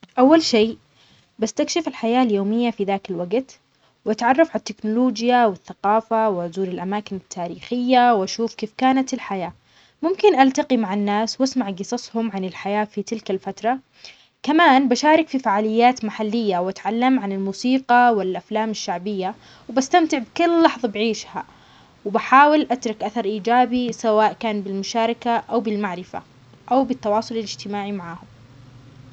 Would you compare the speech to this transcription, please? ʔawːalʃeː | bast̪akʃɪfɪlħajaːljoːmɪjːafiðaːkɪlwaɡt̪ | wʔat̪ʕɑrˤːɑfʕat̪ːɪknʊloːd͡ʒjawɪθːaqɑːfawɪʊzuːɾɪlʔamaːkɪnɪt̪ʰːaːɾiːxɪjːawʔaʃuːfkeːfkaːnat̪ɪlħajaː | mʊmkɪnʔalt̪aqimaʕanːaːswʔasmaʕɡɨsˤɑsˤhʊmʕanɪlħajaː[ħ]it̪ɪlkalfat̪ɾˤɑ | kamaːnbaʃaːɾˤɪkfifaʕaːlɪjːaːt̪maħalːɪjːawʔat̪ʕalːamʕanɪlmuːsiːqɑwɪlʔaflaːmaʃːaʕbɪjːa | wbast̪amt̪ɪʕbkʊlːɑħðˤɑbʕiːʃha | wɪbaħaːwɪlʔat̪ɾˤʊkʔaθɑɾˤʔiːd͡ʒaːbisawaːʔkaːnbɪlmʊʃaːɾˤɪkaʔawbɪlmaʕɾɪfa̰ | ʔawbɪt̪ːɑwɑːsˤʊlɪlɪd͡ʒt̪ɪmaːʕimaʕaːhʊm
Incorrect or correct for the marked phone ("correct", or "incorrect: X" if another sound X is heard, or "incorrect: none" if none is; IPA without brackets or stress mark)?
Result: incorrect: f